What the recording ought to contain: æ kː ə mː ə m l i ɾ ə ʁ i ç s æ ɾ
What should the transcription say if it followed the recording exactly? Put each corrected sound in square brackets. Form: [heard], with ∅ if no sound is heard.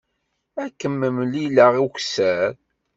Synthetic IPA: æ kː ə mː ə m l i [l] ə ʁ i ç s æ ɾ

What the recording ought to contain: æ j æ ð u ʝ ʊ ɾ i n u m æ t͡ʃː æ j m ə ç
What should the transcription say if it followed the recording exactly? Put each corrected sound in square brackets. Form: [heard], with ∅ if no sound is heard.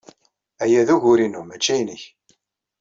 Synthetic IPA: æ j æ ð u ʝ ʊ ɾ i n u m æ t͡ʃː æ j [n] ə ç

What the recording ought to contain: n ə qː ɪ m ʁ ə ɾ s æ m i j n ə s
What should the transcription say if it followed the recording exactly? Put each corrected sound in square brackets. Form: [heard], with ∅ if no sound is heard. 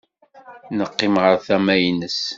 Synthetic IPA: n ə qː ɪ m ʁ ə ɾ [θ] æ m [æ] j n ə s

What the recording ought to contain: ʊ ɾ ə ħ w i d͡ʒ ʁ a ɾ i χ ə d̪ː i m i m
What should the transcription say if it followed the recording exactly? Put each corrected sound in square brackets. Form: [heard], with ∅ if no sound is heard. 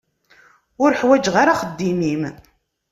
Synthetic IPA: ʊ ɾ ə ħ w [æ] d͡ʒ ʁ a ɾ [a] χ ə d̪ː i m i m

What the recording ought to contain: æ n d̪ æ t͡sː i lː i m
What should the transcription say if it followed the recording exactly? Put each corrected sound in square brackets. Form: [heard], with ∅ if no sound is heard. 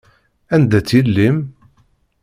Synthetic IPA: æ n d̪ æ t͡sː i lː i m

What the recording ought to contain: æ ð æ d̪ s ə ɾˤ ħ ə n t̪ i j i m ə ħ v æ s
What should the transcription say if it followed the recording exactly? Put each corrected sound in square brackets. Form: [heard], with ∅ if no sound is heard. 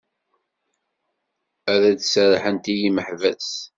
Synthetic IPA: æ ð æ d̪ s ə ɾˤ ħ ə n t̪ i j i m ə ħ v æ s

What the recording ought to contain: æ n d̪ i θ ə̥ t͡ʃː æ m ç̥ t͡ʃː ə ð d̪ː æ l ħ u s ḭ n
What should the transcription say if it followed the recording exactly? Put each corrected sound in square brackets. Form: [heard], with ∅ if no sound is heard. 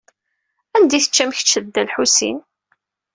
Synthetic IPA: æ n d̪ i θ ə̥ t͡ʃː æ m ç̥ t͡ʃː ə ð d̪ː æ l ħ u s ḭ n

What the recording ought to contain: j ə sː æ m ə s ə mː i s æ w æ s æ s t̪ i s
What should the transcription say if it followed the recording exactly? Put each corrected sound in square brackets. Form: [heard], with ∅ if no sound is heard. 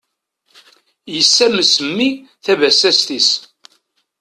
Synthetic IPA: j ə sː æ m ə s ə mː i [θ] æ [v] æ s æ s t̪ i s

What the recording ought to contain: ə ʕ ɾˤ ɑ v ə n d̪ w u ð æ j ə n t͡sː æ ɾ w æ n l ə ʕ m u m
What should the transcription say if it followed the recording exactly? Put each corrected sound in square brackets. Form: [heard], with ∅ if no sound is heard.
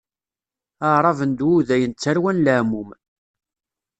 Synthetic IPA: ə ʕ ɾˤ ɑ v ə n d̪ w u ð æ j ə n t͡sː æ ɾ w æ n l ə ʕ m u m

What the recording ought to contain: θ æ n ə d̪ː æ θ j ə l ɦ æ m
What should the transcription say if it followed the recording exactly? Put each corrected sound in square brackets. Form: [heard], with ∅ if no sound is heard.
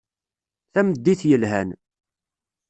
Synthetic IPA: θ æ [m] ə d̪ː [i] θ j ə l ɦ æ [n]

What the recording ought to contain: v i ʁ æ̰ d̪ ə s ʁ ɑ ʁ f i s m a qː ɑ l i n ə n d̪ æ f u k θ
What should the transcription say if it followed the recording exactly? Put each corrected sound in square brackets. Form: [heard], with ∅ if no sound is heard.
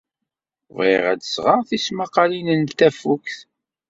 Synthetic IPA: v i ʁ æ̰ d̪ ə s ʁ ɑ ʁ [θ] i s m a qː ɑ l i n ə n [t̪] æ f u k θ

